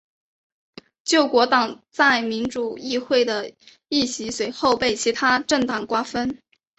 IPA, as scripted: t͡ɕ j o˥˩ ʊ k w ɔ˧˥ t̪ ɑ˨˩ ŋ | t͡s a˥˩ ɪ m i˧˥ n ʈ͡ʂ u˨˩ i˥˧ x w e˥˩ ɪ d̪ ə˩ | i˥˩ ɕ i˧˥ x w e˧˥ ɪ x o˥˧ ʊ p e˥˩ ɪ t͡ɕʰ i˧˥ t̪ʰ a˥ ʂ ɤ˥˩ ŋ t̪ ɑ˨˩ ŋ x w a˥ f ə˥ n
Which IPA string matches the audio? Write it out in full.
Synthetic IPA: t͡ɕ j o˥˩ ʊ k w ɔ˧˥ t̪ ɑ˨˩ ŋ | t͡s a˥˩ ɪ m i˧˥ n ʈ͡ʂ u˨˩ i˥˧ x w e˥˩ ɪ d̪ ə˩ | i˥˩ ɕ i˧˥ s w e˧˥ ɪ x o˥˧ ʊ p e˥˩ ɪ t͡ɕʰ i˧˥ t̪ʰ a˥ ʈ͡ʂ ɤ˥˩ ŋ t̪ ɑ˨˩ ŋ k w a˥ f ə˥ n